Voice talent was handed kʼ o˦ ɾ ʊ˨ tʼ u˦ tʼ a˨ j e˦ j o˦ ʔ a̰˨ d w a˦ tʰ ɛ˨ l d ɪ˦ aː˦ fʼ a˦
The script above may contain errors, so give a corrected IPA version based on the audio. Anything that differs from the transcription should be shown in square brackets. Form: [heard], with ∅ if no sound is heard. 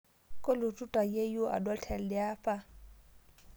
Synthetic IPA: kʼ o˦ [l] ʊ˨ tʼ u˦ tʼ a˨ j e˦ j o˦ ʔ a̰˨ d w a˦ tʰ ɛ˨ l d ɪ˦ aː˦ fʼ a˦